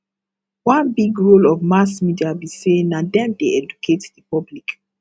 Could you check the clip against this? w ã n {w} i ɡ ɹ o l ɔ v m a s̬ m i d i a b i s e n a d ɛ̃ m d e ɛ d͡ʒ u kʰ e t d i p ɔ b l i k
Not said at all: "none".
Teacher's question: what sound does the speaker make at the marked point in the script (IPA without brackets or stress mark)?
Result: b